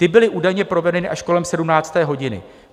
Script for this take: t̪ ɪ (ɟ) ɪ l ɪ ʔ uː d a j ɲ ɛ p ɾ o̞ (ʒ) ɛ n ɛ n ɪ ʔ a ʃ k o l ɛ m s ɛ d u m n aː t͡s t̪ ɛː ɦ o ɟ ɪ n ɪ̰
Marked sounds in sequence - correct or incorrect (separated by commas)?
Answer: incorrect, incorrect